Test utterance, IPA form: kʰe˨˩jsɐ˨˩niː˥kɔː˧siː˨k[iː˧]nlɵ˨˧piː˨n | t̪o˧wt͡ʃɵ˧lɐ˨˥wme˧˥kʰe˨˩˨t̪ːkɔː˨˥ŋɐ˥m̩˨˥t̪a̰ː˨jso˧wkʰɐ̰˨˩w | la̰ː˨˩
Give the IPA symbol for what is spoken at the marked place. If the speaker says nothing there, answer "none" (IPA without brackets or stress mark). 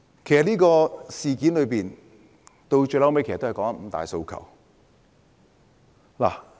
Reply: iː˨˥